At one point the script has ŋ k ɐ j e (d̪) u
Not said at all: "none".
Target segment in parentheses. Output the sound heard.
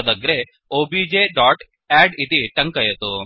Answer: t̪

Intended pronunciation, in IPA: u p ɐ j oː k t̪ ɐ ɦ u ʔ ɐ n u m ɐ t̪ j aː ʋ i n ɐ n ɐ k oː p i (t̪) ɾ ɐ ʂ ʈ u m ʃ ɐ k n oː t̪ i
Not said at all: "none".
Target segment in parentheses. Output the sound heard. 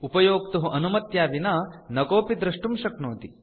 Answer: d̪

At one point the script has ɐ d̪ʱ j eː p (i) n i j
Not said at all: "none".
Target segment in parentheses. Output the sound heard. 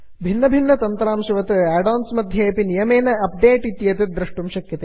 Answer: i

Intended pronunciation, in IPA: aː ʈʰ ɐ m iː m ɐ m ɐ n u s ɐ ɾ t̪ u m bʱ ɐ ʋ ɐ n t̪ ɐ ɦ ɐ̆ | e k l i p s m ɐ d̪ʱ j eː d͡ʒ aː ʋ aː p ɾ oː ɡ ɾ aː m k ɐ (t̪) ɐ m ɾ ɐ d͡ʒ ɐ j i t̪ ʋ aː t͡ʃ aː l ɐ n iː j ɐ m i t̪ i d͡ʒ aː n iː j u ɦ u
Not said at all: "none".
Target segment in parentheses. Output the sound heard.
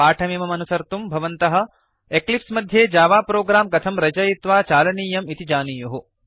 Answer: t̪ʰ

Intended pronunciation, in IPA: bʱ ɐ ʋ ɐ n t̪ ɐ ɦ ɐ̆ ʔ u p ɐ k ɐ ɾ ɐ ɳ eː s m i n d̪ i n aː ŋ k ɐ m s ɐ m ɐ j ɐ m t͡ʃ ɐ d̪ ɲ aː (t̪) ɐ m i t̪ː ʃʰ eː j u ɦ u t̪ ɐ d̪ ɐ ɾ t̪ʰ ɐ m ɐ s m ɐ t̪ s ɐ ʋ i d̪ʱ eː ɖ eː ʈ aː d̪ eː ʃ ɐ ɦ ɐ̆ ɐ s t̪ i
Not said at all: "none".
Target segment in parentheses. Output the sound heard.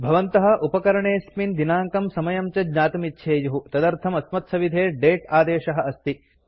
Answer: t̪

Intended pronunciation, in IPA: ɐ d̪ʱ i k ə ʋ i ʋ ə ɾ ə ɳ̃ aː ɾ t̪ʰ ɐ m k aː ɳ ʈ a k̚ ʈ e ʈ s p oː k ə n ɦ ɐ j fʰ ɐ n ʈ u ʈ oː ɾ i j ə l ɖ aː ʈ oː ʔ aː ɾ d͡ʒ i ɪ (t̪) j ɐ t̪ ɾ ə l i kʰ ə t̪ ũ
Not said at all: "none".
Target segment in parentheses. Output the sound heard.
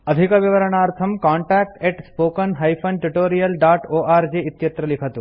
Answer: t̪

